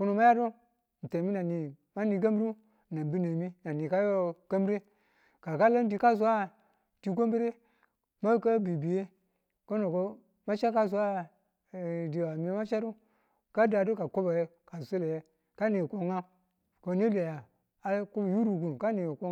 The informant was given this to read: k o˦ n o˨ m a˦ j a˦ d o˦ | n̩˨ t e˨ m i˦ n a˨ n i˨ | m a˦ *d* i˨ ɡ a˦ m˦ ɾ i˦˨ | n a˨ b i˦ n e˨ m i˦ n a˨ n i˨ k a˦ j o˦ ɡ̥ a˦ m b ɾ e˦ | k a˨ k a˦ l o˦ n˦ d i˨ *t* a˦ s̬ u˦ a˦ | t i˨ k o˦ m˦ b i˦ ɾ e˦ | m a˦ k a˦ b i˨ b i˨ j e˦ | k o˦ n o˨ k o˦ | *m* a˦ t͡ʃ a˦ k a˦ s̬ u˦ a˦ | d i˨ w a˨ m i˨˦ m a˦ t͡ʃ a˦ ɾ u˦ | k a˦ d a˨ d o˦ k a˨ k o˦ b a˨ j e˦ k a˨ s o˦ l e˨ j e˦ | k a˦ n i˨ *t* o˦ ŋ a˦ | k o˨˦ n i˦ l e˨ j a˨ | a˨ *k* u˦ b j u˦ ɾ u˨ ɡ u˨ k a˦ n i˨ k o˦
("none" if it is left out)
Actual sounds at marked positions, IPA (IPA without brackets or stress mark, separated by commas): n, k, m, k, k